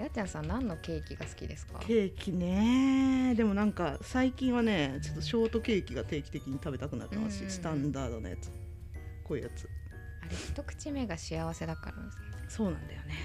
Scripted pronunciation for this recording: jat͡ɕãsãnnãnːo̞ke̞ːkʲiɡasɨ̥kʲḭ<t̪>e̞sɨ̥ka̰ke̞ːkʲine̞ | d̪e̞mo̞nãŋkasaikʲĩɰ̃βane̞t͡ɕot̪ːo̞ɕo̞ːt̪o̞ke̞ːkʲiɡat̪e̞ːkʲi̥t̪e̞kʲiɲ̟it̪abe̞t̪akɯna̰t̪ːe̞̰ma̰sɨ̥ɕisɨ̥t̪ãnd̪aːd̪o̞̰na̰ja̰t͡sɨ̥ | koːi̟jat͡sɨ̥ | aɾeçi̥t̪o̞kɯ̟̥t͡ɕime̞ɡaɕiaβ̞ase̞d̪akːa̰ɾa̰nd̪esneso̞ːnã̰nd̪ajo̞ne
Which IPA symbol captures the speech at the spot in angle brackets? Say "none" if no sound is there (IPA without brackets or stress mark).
d̪